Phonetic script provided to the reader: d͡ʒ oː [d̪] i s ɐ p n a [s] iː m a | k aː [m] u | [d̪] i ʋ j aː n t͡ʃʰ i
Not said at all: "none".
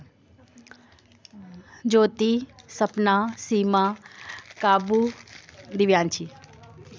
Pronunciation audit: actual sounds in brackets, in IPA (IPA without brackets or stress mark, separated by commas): t̪, s, b, d̪